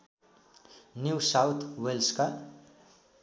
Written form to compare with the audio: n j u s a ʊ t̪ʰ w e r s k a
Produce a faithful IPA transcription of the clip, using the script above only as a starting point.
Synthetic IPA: n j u s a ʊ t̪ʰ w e l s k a